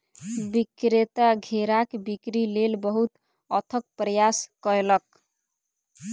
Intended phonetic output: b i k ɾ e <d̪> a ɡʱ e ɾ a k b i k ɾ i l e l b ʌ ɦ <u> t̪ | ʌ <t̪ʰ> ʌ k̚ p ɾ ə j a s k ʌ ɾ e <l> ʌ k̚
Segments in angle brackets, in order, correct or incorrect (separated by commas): incorrect, correct, correct, correct